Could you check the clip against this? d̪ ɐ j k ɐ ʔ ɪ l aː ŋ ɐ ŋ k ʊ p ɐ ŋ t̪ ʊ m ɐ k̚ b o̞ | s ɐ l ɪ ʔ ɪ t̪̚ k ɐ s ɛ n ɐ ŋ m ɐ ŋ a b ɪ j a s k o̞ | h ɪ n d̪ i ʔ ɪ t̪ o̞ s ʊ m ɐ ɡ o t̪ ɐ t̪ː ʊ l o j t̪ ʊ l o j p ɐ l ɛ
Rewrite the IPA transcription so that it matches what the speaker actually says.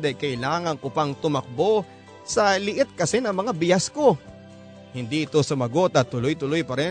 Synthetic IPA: d̪ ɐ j k ɐ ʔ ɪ l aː ŋ ɐ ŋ k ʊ p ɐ ŋ t̪ ʊ m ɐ k̚ b o̞ | s ɐ l ɪ ʔ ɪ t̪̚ k ɐ s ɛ n ɐ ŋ m ɐ ŋ a b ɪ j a s k o̞ | h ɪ n d̪ i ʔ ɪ t̪ o̞ s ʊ m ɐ ɡ o t̪ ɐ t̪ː ʊ l o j t̪ ʊ l o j p ɐ ɾ ɛ